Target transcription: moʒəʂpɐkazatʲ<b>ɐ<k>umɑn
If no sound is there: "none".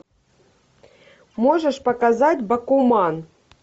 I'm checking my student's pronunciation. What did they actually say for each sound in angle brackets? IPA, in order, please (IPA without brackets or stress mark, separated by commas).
b, k